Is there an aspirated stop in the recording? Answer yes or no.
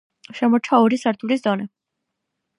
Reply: yes